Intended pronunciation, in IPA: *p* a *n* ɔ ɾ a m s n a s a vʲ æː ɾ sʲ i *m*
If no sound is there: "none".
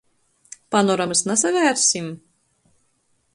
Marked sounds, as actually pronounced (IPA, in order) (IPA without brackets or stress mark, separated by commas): p, n, m